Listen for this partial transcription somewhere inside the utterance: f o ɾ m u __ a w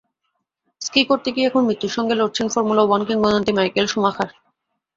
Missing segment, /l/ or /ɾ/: l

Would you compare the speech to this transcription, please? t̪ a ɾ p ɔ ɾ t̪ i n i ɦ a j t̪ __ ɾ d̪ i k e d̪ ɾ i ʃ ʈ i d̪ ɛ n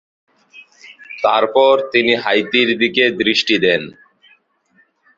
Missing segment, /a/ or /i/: i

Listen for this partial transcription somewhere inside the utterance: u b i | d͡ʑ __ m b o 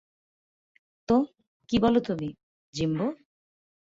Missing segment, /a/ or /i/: i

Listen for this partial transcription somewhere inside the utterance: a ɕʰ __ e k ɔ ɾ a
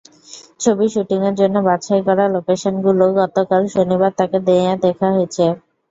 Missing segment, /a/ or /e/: a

